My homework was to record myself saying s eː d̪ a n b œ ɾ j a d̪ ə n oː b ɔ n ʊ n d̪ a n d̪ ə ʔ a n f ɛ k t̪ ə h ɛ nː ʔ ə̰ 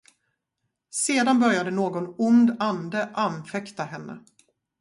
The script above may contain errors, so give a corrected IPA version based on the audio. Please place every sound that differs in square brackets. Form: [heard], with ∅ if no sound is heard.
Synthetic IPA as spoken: s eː d̪ a n b œ ɾ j a d̪ ə n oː [ɡ] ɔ n ʊ n d̪ a n d̪ ə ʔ a n f ɛ k t̪ [a] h ɛ nː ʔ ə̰